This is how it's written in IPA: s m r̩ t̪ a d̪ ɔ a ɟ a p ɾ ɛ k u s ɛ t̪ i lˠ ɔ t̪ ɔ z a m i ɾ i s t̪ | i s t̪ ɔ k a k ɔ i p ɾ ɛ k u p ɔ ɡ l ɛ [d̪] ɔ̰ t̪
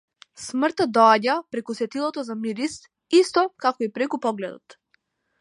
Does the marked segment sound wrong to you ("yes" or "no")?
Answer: no